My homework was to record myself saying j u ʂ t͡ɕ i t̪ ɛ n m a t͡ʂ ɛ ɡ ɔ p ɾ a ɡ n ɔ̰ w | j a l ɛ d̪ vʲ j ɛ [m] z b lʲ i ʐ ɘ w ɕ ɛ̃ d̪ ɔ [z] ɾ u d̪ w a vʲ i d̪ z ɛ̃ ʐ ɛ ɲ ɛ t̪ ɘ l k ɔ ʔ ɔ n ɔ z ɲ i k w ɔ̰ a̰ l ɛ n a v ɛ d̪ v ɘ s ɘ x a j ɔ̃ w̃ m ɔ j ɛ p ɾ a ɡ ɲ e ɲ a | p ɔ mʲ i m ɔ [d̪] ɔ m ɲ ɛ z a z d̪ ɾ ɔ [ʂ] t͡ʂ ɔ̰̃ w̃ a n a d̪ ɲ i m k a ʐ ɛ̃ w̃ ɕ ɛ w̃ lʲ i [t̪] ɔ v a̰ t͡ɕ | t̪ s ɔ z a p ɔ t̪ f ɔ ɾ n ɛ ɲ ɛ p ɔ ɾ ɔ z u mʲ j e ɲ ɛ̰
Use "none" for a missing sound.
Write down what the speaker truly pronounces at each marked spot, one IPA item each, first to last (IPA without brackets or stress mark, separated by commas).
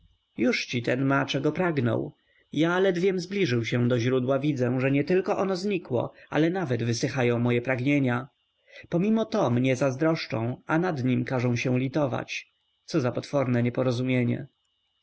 m, ʑ, t̪, ʂ, t̪